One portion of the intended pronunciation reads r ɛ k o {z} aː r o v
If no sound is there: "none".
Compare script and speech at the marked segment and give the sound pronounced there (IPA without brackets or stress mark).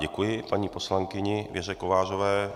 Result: v